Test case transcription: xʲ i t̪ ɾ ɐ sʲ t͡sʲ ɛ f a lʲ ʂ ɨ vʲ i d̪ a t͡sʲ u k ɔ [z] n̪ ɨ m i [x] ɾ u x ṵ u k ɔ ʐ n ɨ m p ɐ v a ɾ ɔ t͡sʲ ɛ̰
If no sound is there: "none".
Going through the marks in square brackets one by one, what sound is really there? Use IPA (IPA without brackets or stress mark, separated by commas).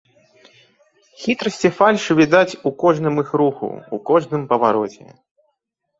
ʐ, x